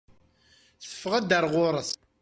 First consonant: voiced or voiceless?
voiceless